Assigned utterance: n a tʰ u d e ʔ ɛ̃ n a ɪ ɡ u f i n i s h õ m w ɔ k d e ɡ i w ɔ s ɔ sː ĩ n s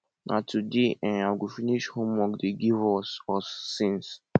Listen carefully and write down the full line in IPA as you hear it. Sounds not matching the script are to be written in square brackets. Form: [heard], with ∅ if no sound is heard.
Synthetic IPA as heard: n a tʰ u d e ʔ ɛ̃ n a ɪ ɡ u f i n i [ʃ] h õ m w ɔ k d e ɡ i [v] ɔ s ɔ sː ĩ n s